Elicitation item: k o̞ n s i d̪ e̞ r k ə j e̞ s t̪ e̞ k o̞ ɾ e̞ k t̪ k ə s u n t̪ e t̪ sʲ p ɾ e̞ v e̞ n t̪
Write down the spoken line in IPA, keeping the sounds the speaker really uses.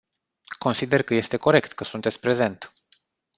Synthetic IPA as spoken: k o̞ n s i d̪ e̞ r k ə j e̞ s t̪ e̞ k o̞ ɾ e̞ k t̪ k ə s u n t̪ e t̪ sʲ p ɾ e̞ z e̞ n t̪